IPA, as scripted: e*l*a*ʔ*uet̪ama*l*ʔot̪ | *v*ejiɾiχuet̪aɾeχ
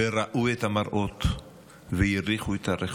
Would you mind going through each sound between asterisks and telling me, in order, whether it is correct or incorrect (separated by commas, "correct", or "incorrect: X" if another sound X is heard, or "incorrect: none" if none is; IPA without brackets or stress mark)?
incorrect: ɾ, correct, incorrect: ɾ, correct